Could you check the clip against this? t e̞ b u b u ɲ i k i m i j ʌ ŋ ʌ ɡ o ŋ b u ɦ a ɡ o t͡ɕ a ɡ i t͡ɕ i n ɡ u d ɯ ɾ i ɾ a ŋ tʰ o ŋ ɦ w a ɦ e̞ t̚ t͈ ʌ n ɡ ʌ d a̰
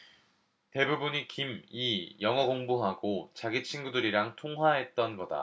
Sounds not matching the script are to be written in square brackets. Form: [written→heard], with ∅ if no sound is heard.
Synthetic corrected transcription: t e̞ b u b u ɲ i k i m i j ʌ ŋ ʌ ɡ o ŋ b u ɦ a ɡ o t͡ɕ a ɡ i [t͡ɕ→t͡ɕʰ] i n ɡ u d ɯ ɾ i ɾ a ŋ tʰ o ŋ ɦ w a ɦ e̞ t̚ t͈ ʌ n ɡ ʌ d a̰